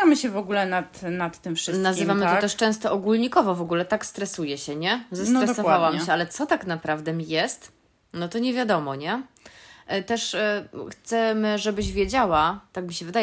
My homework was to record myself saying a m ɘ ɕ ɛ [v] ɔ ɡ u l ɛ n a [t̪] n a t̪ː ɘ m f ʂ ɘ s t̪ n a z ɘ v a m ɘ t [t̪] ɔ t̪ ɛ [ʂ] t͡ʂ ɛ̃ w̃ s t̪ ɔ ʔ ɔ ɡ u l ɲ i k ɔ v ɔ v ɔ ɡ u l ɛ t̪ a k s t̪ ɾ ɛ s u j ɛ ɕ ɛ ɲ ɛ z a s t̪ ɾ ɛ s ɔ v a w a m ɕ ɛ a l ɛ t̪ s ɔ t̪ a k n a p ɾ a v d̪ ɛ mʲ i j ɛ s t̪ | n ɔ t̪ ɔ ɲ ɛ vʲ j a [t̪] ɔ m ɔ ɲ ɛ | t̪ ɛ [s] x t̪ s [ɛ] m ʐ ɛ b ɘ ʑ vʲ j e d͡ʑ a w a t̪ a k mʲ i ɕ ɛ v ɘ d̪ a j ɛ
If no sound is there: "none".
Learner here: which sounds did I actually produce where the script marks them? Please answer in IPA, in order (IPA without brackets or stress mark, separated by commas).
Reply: v, t̪, t̪, ʂ, d̪, ʂ, ɛ